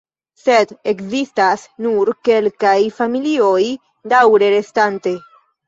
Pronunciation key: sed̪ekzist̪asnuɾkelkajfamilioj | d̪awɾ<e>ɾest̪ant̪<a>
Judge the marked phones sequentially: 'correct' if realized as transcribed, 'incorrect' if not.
correct, incorrect: e

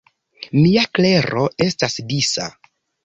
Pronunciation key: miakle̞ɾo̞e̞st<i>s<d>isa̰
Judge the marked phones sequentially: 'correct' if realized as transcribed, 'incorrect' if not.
incorrect: a, correct

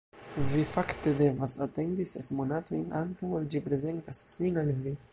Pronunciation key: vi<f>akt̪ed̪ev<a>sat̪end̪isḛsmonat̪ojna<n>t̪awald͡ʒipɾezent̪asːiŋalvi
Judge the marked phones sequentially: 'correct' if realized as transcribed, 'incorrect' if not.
correct, correct, correct

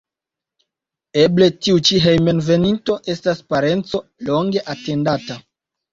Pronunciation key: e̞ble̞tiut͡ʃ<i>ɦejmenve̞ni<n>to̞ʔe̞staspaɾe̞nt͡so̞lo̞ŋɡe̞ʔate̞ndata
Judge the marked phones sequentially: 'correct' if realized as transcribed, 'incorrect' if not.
correct, correct

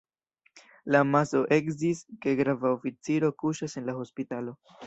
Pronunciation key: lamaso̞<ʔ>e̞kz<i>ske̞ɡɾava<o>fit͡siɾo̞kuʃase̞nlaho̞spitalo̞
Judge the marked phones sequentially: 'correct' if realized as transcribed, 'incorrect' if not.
correct, correct, correct

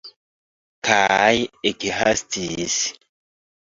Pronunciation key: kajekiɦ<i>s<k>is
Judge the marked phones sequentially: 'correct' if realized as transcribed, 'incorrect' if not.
incorrect: a, incorrect: t

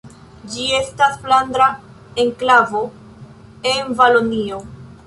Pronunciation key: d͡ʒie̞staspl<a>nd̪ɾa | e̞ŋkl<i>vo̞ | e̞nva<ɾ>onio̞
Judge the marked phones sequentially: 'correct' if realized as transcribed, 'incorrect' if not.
correct, incorrect: a, incorrect: l

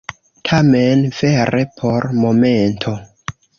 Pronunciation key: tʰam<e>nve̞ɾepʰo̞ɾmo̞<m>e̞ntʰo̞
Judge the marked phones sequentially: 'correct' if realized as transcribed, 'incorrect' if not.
correct, correct

